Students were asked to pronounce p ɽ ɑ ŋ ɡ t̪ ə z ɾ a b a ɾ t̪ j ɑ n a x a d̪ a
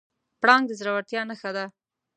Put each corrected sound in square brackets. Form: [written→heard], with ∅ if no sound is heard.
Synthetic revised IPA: p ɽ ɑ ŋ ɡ [t̪→d̪] ə z ɾ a [b→w] a ɾ t̪ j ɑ n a x a d̪ a